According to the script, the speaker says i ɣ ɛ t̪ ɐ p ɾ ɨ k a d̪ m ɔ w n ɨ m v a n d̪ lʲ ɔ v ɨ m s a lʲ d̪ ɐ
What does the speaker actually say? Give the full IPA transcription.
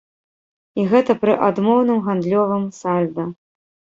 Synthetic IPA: i ɣ ɛ t̪ ɐ p ɾ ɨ ʔ a d̪ m ɔ w n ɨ m ɣ a n d̪ lʲ ɔ v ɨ m s a lʲ d̪ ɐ